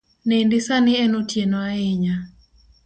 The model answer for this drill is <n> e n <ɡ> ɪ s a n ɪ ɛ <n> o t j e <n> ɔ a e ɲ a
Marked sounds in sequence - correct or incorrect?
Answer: correct, incorrect: d, correct, correct

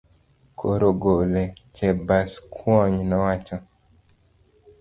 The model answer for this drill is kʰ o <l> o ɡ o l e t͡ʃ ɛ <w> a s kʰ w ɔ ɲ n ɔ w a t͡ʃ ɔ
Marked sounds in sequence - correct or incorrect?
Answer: incorrect: ɾ, incorrect: b

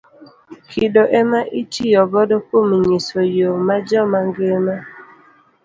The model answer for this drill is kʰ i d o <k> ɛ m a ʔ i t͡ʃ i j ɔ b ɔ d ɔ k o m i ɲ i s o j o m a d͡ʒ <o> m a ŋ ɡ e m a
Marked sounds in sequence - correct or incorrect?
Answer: incorrect: ʔ, incorrect: ɔ

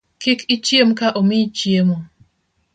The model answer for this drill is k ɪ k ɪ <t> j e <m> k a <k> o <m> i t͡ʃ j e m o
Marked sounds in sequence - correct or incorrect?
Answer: incorrect: t͡ʃ, correct, incorrect: ʔ, correct

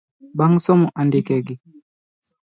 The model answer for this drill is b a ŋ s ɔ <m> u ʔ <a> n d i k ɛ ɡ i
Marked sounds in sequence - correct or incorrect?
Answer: correct, correct

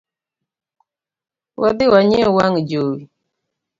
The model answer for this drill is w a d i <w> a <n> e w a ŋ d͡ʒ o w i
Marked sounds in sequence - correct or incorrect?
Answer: correct, incorrect: ɲ

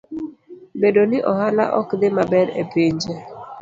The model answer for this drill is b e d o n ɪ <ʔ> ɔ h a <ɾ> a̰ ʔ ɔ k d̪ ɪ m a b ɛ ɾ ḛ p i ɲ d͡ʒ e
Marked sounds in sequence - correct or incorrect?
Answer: correct, incorrect: l

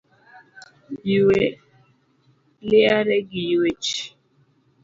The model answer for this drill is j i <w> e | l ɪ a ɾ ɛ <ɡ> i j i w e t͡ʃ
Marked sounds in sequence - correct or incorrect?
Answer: correct, correct

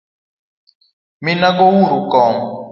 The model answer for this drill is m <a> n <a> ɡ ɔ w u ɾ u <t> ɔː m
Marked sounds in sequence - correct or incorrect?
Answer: incorrect: i, correct, incorrect: k

